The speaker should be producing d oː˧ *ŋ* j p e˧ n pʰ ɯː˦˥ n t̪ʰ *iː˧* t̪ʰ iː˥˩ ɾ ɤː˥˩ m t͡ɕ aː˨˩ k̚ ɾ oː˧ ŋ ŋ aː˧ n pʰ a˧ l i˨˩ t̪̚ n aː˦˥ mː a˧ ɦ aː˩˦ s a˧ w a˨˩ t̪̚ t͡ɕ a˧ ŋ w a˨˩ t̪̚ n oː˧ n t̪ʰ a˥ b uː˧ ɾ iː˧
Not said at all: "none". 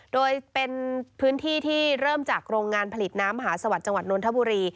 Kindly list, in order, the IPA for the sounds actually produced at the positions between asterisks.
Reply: none, iː˥˩

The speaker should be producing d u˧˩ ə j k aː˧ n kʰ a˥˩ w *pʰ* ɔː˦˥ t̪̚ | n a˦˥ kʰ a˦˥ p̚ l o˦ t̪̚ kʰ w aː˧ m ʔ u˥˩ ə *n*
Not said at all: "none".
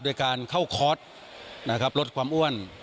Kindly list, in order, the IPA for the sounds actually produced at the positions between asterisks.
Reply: kʰ, n

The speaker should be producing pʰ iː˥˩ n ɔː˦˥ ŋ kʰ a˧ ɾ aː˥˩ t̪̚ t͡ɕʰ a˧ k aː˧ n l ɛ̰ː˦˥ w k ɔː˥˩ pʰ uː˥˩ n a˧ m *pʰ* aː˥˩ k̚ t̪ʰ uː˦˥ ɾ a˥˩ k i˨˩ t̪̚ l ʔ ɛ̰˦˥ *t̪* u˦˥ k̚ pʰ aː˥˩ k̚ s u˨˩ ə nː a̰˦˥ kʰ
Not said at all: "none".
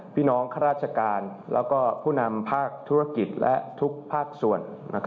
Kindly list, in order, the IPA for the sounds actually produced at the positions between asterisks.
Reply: pʰ, t̪ʰ

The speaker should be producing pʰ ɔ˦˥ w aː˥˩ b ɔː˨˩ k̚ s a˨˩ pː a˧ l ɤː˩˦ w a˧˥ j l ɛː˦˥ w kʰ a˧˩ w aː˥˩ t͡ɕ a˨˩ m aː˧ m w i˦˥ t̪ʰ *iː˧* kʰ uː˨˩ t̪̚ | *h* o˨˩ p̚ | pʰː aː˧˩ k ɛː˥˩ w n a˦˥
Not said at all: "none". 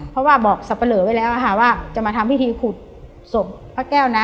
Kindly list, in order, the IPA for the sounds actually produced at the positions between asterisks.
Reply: iː˧, s

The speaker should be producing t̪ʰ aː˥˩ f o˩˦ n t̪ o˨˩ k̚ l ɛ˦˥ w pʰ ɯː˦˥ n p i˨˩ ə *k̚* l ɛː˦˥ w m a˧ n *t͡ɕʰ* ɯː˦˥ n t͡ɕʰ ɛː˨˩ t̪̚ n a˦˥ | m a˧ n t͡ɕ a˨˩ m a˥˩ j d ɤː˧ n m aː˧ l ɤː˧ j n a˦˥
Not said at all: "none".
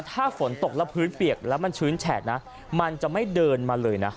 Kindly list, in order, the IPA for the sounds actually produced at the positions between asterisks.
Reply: k̚, t͡ɕʰ

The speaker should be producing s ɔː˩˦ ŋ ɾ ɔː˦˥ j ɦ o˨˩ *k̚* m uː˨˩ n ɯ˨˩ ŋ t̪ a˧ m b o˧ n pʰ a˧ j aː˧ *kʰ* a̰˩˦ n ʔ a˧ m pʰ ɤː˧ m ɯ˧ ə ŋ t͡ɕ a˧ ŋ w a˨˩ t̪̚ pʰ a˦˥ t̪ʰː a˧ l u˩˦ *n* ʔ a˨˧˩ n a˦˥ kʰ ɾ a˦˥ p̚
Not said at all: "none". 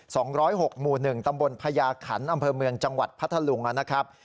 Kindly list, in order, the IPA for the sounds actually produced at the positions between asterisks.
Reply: k̚, kʰ, ŋ

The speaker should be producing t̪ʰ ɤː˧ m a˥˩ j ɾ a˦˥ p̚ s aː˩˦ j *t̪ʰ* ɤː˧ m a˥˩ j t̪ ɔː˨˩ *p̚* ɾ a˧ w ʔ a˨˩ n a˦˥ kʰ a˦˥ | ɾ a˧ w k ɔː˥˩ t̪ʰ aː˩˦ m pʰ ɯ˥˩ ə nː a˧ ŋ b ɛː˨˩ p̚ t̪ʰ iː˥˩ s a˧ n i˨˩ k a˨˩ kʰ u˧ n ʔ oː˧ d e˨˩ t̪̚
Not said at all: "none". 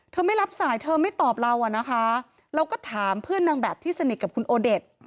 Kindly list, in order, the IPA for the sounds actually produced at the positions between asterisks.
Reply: t̪ʰ, p̚

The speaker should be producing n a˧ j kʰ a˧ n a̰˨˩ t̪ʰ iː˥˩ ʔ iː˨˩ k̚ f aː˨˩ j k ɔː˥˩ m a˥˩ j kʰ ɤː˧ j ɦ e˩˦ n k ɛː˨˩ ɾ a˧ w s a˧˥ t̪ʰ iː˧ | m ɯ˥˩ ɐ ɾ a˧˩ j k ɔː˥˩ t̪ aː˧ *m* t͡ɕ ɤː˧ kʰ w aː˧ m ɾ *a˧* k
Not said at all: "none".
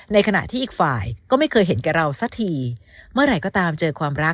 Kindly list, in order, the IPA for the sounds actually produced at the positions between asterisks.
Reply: m, a˦˥

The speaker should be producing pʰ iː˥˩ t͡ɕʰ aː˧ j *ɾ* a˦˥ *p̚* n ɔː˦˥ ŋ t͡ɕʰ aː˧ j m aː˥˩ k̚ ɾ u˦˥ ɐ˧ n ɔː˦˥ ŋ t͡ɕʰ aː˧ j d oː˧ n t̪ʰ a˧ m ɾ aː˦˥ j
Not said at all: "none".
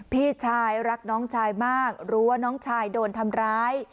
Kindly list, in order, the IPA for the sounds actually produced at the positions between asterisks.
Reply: ɾ, k̚

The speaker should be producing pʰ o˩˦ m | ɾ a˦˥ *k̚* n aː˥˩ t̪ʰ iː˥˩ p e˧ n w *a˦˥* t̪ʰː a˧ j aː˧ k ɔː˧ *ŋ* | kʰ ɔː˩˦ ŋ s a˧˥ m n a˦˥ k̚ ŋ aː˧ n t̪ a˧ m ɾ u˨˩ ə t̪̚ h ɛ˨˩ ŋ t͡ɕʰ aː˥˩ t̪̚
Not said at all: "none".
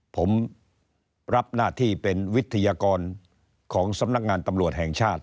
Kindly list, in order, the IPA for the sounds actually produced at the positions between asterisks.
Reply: p̚, i˦˥, n

